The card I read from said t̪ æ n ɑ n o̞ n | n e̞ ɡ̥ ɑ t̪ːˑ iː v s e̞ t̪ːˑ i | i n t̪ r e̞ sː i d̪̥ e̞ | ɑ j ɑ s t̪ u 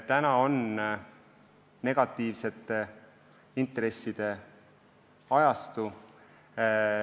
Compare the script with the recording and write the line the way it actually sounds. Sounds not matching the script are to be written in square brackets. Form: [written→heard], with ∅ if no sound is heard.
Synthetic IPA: t̪ æ n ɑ [n→∅] o̞ n | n e̞ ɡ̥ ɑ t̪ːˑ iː v s e̞ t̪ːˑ [i→e] | i n t̪ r e̞ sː i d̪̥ e̞ | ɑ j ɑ s t̪ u